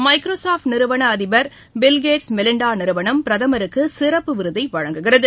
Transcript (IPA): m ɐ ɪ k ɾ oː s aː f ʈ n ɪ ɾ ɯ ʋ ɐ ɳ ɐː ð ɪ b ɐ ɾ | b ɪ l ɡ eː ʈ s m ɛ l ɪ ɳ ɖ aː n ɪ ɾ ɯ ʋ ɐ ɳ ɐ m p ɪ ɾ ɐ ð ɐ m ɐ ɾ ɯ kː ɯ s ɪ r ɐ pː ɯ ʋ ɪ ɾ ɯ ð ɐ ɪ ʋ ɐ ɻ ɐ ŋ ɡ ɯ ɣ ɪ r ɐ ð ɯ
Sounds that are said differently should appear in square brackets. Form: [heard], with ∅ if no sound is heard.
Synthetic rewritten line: m ɐ ɪ k ɾ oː s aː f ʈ n ɪ ɾ ɯ ʋ ɐ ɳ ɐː ð ɪ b ɐ ɾ | b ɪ l ɡ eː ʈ s m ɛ l ɪ ɳ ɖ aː n ɪ ɾ ɯ ʋ ɐ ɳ ɐ m p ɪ ɾ ɐ ð ɐ m ɐ ɾ ɯ kː ɯ s ɪ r ɐ pː ɯ ʋ ɪ ɾ ɯ ð ɐ ɪ ʋ ɐ ɻ ɐ ŋ ɡ ɯ ɣ ɪ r ɐ ð ɯ